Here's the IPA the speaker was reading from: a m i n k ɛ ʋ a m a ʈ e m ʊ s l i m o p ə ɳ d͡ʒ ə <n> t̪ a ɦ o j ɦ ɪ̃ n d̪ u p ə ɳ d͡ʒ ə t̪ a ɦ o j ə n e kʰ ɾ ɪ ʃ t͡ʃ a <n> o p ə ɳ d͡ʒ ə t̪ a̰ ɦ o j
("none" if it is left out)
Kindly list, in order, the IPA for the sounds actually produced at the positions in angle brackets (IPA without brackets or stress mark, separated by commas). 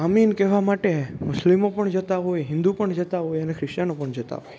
none, n